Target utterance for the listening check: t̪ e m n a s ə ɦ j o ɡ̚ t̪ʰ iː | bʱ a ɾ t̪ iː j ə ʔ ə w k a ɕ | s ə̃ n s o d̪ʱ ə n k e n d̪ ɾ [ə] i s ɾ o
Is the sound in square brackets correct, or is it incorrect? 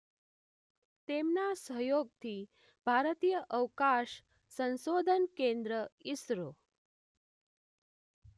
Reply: correct